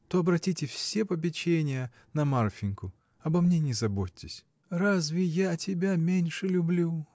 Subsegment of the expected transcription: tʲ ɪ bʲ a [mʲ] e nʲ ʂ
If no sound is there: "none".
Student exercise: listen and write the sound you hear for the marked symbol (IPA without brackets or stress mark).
mʲ